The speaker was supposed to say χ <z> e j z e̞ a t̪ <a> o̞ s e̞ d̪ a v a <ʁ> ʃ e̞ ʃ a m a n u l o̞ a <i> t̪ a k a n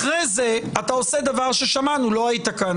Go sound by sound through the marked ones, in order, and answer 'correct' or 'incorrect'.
incorrect: ʁ, correct, correct, correct

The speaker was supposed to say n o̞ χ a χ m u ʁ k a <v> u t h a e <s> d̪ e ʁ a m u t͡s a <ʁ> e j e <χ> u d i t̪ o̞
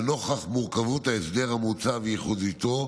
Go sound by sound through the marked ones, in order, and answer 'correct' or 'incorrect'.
correct, correct, incorrect: v, correct

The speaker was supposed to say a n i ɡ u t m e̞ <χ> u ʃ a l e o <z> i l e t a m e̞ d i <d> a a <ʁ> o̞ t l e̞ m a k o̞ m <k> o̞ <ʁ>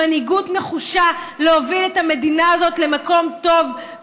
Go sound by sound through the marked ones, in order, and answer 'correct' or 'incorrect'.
correct, incorrect: v, incorrect: n, incorrect: z, incorrect: t, incorrect: v

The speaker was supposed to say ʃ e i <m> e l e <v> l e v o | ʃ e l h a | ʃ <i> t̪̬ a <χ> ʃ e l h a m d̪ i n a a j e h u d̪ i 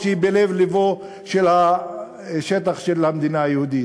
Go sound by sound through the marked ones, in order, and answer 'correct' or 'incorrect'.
incorrect: b, correct, incorrect: e, correct

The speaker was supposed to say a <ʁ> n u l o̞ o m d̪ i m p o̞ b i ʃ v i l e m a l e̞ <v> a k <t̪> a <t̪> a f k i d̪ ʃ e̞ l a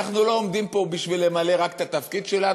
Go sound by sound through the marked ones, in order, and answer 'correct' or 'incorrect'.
incorrect: χ, incorrect: ʁ, correct, correct

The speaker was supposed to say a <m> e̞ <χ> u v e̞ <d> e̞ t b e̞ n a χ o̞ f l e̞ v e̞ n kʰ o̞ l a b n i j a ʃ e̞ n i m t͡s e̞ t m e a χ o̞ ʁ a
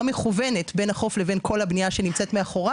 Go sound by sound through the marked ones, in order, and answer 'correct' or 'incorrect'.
correct, correct, incorrect: n

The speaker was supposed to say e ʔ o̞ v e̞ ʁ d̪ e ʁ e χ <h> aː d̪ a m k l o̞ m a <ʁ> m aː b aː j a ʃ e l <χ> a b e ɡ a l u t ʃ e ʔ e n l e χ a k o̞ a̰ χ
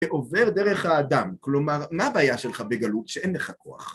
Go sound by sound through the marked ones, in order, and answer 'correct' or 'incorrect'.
correct, correct, correct

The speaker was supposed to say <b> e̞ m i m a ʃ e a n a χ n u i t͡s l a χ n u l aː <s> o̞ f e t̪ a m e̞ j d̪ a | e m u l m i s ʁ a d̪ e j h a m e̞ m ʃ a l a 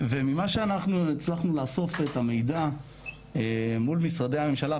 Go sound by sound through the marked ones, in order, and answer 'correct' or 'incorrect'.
incorrect: v, correct

